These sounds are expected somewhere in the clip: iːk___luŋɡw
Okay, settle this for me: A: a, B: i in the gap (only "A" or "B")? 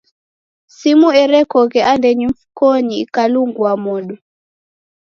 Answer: A